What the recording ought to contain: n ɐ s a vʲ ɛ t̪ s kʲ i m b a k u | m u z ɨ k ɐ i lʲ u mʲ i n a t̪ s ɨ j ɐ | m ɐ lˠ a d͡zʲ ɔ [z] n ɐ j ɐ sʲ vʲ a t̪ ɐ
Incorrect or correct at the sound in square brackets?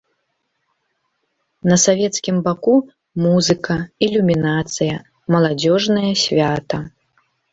incorrect: ʐ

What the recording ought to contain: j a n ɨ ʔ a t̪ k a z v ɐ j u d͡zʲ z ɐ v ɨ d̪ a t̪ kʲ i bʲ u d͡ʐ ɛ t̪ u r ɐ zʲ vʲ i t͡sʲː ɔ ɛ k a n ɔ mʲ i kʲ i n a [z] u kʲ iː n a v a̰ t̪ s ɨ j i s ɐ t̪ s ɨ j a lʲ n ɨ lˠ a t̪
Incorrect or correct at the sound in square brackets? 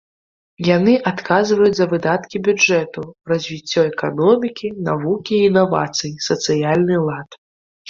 incorrect: v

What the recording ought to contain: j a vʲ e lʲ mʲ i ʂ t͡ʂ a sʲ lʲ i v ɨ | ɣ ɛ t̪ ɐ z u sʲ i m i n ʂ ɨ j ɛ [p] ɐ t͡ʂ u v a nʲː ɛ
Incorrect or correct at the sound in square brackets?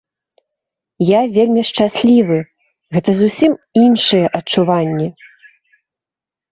incorrect: ʔ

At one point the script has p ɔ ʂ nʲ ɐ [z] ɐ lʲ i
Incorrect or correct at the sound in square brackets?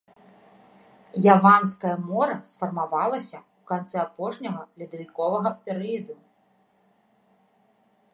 incorrect: ɣ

